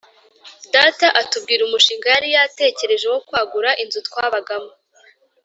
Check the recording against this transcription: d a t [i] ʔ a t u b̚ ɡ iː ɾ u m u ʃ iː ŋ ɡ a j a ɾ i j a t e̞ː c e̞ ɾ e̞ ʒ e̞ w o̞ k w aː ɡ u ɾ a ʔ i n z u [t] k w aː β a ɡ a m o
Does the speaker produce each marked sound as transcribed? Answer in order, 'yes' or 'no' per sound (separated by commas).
no, yes